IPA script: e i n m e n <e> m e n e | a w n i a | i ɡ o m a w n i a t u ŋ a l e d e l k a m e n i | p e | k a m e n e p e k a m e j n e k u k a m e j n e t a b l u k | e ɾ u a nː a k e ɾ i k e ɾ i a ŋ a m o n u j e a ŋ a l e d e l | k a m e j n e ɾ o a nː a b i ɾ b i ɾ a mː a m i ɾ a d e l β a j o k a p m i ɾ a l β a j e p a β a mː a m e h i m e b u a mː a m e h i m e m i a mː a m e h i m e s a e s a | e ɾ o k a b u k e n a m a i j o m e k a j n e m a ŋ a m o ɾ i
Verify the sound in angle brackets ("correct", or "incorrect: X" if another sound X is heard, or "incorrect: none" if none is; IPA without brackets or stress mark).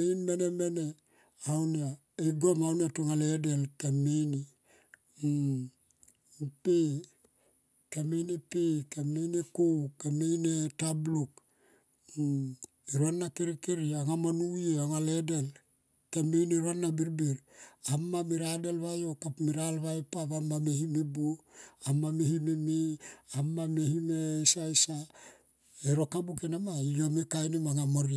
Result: correct